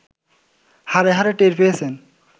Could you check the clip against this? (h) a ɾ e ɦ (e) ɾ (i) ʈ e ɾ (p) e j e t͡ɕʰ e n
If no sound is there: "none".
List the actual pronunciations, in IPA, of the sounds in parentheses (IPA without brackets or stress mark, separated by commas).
h, a, e, p